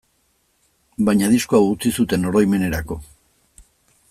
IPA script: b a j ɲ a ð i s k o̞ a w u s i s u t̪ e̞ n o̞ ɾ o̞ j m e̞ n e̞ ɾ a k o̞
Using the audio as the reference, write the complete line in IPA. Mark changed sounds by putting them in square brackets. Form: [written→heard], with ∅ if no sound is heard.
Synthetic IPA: b a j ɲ a ð i s k o̞ a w u [s→t͡s] i s u t̪ e̞ n o̞ ɾ o̞ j m e̞ n e̞ ɾ a k o̞